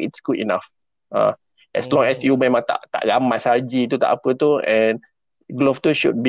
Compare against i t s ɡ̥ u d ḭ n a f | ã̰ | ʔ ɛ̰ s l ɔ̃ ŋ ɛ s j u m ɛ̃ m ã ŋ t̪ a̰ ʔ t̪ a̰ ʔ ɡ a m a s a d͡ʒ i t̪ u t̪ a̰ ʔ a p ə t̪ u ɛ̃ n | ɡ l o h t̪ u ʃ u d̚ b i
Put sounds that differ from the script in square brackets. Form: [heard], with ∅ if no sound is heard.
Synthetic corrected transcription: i t s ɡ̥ u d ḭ n a f | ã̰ | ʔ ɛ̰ s l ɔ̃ ŋ ɛ s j u m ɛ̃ m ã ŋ t̪ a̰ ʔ t̪ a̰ ʔ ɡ a m a s a d͡ʒ i t̪ u t̪ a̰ ʔ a p ə t̪ u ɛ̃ n | ɡ l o [f] t̪ u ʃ u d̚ b i